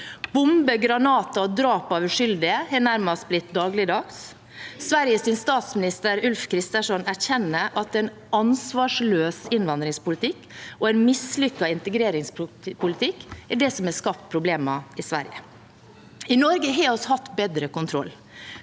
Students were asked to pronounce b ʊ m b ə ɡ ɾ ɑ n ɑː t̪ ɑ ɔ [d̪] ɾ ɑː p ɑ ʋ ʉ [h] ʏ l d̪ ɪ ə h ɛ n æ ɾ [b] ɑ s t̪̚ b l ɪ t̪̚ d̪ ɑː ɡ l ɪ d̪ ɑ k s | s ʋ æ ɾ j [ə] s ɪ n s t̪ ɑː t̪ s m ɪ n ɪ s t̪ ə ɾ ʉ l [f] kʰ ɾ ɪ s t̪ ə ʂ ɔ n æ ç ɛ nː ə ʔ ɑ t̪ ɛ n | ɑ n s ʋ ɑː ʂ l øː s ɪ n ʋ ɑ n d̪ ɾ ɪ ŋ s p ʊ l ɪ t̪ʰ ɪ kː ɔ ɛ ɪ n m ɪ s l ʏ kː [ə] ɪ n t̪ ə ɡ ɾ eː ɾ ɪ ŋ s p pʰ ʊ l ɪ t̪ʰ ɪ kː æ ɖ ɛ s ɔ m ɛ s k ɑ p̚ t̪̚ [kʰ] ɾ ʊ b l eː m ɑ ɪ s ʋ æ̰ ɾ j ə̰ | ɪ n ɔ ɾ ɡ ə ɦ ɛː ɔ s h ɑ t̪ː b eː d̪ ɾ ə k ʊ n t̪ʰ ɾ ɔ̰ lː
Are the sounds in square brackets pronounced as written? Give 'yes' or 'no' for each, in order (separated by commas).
yes, no, no, yes, yes, no, no